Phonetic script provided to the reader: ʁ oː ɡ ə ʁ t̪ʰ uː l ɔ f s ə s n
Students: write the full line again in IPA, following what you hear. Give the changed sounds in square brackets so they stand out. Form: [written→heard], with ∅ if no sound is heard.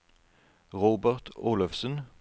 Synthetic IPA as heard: ʁ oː [ɡ→b] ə ʁ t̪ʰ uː l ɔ f s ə [s→∅] n

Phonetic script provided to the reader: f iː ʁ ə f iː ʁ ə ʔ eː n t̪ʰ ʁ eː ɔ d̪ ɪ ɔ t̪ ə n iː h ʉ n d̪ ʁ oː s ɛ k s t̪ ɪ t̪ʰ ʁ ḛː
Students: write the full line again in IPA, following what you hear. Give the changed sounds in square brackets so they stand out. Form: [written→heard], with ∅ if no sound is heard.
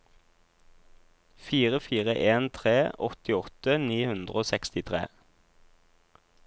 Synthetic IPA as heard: f iː ʁ ə f iː ʁ ə ʔ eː n t̪ʰ ʁ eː ɔ [d̪→t̪] ɪ ɔ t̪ ə n iː h ʉ n d̪ ʁ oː s ɛ k s t̪ ɪ t̪ʰ ʁ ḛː

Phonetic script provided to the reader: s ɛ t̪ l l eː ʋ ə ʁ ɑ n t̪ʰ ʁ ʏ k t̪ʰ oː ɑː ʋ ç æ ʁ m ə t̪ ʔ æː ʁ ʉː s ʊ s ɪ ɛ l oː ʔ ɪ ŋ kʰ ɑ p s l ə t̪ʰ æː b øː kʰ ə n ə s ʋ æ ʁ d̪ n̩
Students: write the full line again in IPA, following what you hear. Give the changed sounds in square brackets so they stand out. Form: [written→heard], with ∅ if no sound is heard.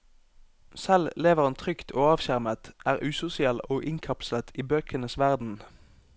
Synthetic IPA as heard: s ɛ [t̪→∅] l l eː ʋ ə ʁ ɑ n t̪ʰ ʁ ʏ k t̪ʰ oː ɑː ʋ ç æ ʁ m ə t̪ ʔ æː ʁ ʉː s ʊ s ɪ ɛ l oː ʔ ɪ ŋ kʰ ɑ p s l ə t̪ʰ [æː→iː] b øː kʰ ə n ə s ʋ æ ʁ d̪ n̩

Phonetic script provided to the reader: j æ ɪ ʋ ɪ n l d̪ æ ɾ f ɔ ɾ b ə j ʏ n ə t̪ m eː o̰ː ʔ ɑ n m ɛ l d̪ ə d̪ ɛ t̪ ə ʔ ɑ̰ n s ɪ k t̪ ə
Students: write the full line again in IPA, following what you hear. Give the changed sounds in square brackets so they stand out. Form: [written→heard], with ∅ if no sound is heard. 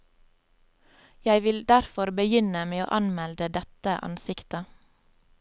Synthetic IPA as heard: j æ ɪ ʋ ɪ [n→∅] l d̪ æ ɾ f ɔ ɾ b ə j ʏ n ə [t̪→∅] m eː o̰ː ʔ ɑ n m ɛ l d̪ ə d̪ ɛ t̪ ə ʔ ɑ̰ n s ɪ k t̪ ə

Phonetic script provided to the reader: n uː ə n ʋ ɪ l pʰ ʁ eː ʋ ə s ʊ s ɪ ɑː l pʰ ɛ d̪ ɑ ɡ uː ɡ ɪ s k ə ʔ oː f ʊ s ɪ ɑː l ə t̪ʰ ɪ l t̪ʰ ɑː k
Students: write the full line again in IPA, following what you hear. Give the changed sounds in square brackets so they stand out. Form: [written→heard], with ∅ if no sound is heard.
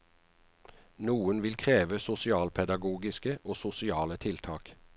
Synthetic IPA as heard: n uː ə n ʋ ɪ l [pʰ→kʰ] ʁ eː ʋ ə s ʊ s ɪ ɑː l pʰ ɛ d̪ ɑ ɡ uː ɡ ɪ s k ə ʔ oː [f→s] ʊ s ɪ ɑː l ə t̪ʰ ɪ l t̪ʰ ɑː k

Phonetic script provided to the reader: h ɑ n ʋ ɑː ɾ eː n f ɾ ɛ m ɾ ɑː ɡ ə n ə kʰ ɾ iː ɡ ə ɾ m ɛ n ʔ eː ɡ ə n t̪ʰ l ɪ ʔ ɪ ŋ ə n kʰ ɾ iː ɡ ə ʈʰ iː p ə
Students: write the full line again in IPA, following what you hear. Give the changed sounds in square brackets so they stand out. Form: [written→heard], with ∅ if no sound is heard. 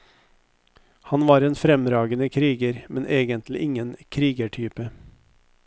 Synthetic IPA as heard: h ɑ n ʋ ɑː ɾ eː n f ɾ ɛ m ɾ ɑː ɡ ə n ə kʰ ɾ iː ɡ ə ɾ m ɛ n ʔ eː ɡ ə n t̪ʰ l ɪ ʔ ɪ ŋ ə n kʰ ɾ iː ɡ ə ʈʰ [iː→yː] p ə

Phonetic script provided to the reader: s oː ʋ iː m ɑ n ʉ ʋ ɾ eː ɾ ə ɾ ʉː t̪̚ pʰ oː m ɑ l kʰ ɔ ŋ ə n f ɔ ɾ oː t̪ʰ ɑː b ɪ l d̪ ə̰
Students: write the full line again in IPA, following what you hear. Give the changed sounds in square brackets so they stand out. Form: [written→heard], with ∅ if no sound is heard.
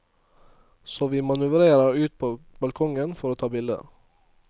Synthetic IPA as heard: s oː ʋ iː m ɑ n ʉ ʋ ɾ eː ɾ ə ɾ ʉː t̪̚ pʰ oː [m→b] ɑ l kʰ ɔ ŋ ə n f ɔ ɾ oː t̪ʰ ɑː b ɪ l d̪ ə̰

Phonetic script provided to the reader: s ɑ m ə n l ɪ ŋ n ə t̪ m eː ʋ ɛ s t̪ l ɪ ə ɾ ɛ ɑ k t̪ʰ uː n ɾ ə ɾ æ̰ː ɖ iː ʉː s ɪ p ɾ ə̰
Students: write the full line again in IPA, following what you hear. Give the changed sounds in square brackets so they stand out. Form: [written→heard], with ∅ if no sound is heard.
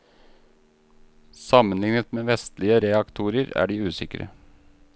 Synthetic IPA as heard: s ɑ m ə n l ɪ ŋ n ə t̪ m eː ʋ ɛ s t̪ l ɪ ə ɾ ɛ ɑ k t̪ʰ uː [n→∅] ɾ ə ɾ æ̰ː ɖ iː ʉː s ɪ [p→k] ɾ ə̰

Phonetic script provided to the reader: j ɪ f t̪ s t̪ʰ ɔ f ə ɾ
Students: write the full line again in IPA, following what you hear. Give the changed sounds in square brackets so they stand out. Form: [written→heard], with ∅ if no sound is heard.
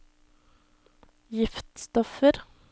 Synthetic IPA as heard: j ɪ f t̪ s [t̪ʰ→t̪] ɔ f ə ɾ

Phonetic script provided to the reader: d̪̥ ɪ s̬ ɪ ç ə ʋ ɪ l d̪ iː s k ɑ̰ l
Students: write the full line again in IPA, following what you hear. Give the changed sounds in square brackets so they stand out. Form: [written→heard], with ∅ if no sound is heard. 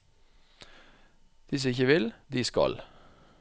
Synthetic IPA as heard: d̪̥ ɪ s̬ ɪ ç ə ʋ ɪ l d̪ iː s k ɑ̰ l

